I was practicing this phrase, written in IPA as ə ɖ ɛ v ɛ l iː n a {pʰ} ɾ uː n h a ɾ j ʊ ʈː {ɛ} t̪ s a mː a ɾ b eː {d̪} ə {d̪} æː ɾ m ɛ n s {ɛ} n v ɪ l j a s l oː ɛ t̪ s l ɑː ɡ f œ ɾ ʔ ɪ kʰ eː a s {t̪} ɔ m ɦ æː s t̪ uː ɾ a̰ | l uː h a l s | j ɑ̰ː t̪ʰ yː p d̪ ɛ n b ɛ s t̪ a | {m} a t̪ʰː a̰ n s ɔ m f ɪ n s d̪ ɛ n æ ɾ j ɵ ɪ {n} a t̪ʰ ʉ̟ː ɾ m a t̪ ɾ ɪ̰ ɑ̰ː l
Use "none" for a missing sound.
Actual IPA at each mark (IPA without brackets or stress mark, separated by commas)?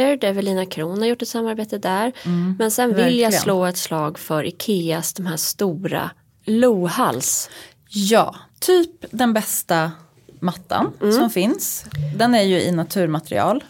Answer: kʰ, ɛ, t̪, d̪, ɛ, d̪, m, n